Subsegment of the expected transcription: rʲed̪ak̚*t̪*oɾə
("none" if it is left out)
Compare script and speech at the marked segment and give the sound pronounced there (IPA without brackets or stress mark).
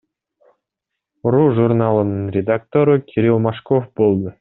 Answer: t̪